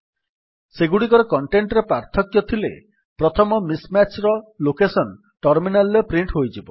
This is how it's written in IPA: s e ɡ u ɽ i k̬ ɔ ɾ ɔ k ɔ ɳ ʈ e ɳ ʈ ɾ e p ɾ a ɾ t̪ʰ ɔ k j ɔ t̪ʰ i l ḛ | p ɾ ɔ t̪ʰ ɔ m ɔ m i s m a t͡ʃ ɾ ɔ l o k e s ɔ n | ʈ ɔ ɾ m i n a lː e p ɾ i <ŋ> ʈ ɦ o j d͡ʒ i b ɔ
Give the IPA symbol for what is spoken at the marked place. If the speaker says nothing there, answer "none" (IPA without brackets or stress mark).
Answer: ɳ